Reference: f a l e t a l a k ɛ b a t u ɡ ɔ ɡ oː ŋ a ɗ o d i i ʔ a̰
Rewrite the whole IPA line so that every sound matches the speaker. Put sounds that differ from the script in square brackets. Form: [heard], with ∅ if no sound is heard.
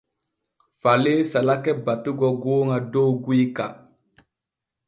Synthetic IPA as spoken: f a l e [s] a l a k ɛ b a t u ɡ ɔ ɡ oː ŋ a [d] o [ɡ] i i [k] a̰